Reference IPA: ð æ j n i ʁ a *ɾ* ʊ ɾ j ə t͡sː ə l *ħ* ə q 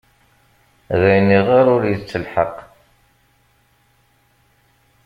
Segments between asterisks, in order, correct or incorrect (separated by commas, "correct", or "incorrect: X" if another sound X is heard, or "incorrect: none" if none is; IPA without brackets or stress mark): correct, correct